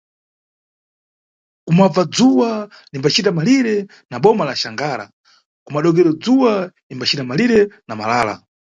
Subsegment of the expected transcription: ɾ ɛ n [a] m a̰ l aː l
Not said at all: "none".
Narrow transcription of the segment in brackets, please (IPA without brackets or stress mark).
a